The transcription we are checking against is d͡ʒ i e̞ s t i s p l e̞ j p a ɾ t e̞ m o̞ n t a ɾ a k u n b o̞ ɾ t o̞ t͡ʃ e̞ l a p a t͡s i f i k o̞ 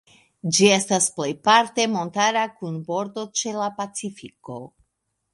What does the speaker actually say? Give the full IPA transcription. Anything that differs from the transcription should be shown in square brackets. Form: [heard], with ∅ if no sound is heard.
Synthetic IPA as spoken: d͡ʒ i e̞ s t [a] s p l e̞ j p a ɾ t e̞ m o̞ n t a ɾ a k u n b o̞ ɾ [d] o̞ t͡ʃ e̞ l a p a t͡s i f i k o̞

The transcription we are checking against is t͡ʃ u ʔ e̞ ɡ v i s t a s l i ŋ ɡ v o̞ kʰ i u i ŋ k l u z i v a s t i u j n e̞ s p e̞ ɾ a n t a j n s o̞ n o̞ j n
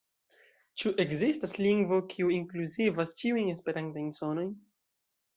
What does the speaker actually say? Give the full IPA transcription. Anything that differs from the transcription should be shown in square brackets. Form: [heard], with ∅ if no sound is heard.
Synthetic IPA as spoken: t͡ʃ u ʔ e̞ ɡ [z] i s t a s l i ŋ ɡ v o̞ kʰ i u i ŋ k l u z i v a s [t͡ʃ] i u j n e̞ s p e̞ ɾ a n t a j n s o̞ n o̞ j n

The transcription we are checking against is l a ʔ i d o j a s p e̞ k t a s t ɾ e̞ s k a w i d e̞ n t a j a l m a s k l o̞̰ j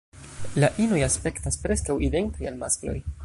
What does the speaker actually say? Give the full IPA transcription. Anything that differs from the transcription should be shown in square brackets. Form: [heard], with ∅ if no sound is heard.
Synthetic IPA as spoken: l a ʔ i [n] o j a s p e̞ k t a s [p] ɾ e̞ s k a w i d e̞ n t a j a l m a s k l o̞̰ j

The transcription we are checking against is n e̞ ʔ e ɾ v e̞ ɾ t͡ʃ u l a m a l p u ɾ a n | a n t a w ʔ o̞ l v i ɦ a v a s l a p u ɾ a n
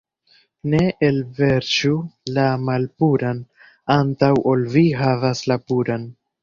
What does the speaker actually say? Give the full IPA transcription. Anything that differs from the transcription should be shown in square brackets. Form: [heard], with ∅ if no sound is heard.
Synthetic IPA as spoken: n e̞ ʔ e [l] v e̞ ɾ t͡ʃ u l a m a l p u ɾ a n | a n t a w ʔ o̞ l v i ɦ a v a s l a p u ɾ a n

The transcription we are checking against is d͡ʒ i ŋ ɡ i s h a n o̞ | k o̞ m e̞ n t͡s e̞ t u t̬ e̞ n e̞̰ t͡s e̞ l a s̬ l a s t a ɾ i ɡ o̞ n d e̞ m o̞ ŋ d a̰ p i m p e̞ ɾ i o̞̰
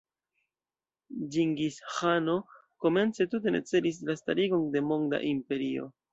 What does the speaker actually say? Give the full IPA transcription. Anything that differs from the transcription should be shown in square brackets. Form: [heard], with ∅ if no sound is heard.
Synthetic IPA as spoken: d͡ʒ i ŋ ɡ i s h a n o̞ | k o̞ m e̞ n t͡s e̞ t u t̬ e̞ n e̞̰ t͡s e̞ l [i] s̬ l a s t a ɾ i ɡ o̞ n d e̞ m o̞ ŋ d a̰ [ʔ] i m p e̞ ɾ i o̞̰

